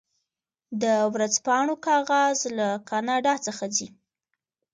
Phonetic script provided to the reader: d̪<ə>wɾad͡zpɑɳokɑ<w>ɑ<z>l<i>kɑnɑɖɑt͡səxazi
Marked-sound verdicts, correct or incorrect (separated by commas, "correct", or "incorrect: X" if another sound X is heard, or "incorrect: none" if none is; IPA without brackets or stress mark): correct, incorrect: ɣ, correct, incorrect: a